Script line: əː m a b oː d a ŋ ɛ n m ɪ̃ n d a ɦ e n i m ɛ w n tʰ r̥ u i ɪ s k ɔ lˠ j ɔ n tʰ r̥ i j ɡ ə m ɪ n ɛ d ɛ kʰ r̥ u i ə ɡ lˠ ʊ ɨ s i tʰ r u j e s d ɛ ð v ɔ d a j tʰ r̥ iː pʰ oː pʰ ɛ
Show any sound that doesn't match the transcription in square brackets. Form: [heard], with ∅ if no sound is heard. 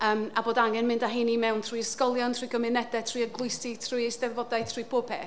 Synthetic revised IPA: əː m a b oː d a ŋ ɛ n m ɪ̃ n d a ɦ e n i m ɛ w n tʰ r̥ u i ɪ s k ɔ lˠ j ɔ n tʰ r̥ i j ɡ ə m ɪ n ɛ d ɛ [tʰ] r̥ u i ə ɡ lˠ ʊ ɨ s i tʰ r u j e s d ɛ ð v ɔ d a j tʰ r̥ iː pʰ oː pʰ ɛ